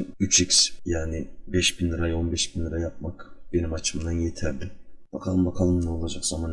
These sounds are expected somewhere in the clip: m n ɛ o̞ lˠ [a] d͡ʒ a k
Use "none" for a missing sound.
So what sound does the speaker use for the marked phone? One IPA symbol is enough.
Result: a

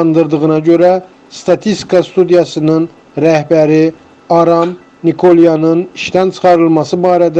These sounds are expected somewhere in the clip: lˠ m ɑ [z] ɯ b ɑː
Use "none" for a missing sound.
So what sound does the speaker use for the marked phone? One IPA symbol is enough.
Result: s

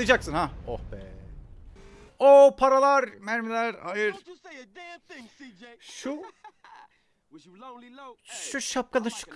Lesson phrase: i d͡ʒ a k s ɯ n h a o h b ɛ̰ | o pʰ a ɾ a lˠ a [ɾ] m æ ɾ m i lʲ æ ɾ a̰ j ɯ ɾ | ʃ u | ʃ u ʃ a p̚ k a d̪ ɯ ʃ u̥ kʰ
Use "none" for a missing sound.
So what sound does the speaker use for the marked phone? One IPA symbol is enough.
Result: ɾ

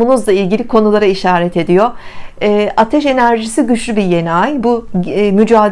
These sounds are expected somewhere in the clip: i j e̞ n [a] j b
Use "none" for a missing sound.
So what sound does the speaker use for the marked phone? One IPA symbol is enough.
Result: a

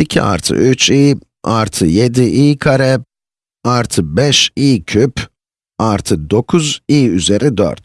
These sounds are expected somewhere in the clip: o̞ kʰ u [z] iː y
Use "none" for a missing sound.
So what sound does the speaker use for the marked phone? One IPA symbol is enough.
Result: z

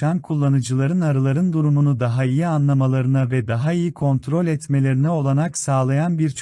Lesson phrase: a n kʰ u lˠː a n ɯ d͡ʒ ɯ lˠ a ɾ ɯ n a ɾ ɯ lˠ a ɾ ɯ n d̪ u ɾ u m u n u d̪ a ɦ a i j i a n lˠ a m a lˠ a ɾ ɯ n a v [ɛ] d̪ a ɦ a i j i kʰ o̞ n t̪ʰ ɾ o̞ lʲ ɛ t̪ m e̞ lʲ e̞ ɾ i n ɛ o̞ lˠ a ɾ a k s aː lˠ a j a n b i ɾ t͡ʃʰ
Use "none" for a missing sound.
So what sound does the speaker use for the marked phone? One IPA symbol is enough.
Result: ɛ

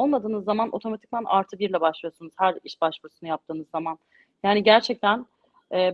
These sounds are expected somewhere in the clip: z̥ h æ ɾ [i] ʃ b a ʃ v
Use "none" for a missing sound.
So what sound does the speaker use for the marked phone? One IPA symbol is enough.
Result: i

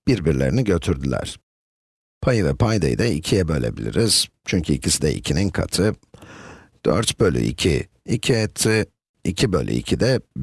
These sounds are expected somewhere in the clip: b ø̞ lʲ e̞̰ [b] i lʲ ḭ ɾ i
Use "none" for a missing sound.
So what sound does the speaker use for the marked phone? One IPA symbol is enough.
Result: b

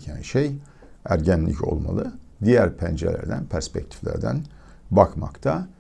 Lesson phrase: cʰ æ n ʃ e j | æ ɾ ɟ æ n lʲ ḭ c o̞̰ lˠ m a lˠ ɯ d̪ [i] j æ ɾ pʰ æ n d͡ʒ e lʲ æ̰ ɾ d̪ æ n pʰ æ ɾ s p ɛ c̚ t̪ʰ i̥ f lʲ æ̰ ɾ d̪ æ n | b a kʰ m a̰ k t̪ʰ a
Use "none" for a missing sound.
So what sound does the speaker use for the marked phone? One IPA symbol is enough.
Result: i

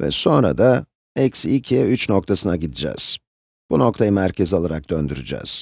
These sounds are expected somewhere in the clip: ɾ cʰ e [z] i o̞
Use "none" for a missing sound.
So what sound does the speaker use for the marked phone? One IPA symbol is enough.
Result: z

